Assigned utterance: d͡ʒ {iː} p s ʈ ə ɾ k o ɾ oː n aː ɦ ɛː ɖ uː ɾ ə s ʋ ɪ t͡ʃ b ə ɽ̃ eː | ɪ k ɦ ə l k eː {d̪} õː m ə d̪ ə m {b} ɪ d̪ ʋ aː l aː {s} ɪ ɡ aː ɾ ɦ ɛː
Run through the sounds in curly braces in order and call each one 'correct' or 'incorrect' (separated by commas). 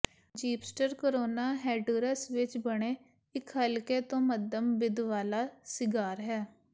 correct, incorrect, correct, correct